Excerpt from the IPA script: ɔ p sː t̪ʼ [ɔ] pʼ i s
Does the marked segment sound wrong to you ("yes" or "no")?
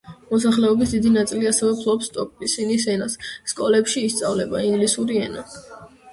no